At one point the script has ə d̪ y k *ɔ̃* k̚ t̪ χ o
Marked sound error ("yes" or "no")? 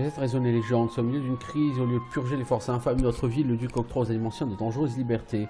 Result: yes